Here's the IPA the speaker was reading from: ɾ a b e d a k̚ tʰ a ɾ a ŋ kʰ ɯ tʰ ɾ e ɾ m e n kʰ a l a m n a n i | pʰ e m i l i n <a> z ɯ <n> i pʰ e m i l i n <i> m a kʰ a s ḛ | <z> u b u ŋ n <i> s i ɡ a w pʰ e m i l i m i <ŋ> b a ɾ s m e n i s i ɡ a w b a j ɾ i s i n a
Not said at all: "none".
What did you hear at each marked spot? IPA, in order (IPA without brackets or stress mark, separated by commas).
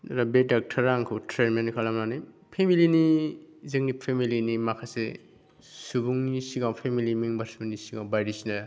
i, ŋ, i, s, i, ŋ